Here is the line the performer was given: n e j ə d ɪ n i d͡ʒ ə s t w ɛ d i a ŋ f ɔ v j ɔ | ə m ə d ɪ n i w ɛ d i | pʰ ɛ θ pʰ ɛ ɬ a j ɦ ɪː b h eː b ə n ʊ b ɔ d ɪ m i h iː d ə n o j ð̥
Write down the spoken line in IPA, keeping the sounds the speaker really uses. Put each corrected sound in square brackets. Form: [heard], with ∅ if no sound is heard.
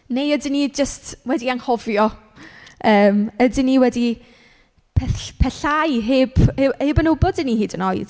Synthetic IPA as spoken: n e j ə d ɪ n i d͡ʒ ə s t w ɛ d i a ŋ [h] ɔ v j ɔ | [əː] m ə d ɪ n i w ɛ d i | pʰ ɛ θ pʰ ɛ ɬ a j ɦ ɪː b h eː b ə n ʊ b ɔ d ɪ [n] i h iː d ə n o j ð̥